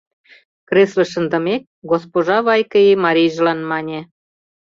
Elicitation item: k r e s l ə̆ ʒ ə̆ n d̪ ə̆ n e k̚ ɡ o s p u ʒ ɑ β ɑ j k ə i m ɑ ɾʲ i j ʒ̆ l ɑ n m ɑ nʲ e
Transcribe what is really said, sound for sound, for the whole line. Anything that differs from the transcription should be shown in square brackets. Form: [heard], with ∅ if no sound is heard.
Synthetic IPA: k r e s l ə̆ [ʃ] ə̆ n d̪ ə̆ [m] e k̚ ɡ o s p [o] ʒ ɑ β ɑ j k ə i m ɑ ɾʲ i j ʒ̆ l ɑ n m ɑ nʲ e